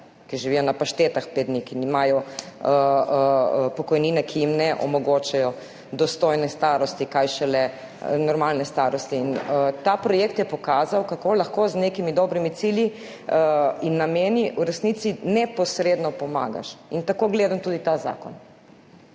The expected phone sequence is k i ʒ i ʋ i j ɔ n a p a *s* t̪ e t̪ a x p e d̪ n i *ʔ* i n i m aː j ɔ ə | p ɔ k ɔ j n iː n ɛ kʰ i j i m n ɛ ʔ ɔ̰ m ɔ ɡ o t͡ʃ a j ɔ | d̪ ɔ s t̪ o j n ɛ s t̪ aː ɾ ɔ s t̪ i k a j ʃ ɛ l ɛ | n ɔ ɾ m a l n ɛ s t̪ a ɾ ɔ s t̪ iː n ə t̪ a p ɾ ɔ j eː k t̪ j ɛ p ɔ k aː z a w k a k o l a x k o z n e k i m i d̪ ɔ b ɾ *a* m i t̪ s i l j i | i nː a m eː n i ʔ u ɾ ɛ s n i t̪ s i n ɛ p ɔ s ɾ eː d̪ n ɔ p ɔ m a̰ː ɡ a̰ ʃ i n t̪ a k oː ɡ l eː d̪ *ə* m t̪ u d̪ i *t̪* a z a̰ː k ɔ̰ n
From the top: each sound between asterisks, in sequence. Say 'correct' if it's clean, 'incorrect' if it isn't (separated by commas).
incorrect, incorrect, incorrect, incorrect, correct